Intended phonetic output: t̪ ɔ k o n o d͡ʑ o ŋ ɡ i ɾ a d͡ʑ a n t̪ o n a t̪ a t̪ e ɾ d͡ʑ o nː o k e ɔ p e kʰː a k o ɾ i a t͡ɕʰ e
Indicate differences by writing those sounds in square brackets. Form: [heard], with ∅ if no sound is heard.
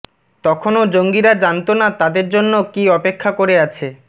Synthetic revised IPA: t̪ ɔ [kʰ] o n o d͡ʑ o ŋ ɡ i ɾ a d͡ʑ a n t̪ o n a t̪ a [d̪] e ɾ d͡ʑ o nː o k [i] ɔ p e kʰː a k o ɾ [e] a t͡ɕʰ e

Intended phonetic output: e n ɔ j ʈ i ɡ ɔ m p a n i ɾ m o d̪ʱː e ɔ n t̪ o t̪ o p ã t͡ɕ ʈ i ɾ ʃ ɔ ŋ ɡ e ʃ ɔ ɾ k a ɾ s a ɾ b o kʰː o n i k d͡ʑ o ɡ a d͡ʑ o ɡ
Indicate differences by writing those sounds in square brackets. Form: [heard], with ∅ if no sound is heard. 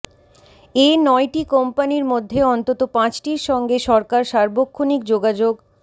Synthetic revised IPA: e n ɔ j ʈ i [k] ɔ m p a n i ɾ m o d̪ʱː e ɔ n t̪ o t̪ o p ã t͡ɕ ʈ i ɾ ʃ ɔ ŋ ɡ e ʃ ɔ ɾ k a ɾ [ʃ] a ɾ b o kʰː o n i k d͡ʑ o ɡ a d͡ʑ o ɡ

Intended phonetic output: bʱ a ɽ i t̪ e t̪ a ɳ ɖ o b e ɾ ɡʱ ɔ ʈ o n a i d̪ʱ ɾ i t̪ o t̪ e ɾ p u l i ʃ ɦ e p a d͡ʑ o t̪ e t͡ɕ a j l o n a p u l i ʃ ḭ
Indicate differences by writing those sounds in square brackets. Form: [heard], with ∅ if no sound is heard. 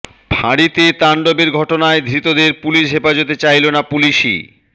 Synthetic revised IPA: bʱ a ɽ i t̪ e t̪ a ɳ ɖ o b e ɾ ɡʱ ɔ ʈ o n a [e] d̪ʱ ɾ i t̪ o [d̪] e ɾ p u l i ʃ ɦ e p a d͡ʑ o t̪ e t͡ɕ a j l o n a p u l i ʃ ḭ

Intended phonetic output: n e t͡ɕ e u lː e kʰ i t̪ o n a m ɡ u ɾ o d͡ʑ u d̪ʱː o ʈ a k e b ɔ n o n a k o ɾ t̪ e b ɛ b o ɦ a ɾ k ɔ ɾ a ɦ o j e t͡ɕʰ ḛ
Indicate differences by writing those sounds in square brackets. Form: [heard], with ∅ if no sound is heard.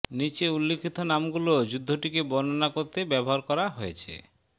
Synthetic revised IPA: n [i] t͡ɕ e u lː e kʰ i t̪ o n a m ɡ u [l] o d͡ʑ u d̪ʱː o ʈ [i] k e b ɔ n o n a k o ɾ t̪ e b ɛ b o ɦ a ɾ k ɔ ɾ a ɦ o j e t͡ɕʰ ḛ

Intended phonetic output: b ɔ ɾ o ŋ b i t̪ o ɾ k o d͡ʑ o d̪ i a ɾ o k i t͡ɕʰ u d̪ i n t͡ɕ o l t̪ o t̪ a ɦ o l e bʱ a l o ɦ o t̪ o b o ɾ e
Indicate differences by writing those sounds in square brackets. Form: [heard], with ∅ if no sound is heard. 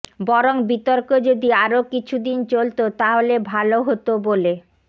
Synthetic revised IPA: b ɔ ɾ o ŋ b i t̪ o ɾ k o d͡ʑ o d̪ i a ɾ o k i t͡ɕʰ u d̪ i n t͡ɕ o l t̪ o t̪ a ɦ o l e bʱ a l o ɦ o t̪ o b o [l] e

